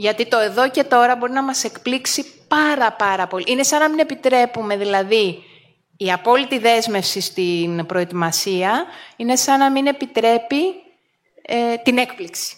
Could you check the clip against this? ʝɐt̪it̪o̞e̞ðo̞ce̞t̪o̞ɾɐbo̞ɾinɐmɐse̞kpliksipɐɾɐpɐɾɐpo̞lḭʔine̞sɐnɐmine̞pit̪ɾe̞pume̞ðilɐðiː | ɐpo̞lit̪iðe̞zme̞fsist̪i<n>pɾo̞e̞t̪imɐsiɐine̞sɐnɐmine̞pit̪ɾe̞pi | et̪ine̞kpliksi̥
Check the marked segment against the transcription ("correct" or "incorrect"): correct